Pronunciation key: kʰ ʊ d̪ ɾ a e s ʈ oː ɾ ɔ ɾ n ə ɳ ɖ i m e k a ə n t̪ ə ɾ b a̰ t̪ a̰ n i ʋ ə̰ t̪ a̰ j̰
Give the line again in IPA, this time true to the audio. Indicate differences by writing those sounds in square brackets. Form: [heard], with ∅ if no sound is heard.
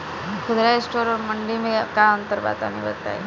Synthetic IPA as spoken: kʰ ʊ d̪ ɾ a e s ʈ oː ɾ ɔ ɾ [m] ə ɳ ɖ i m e k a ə n t̪ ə ɾ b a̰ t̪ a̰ n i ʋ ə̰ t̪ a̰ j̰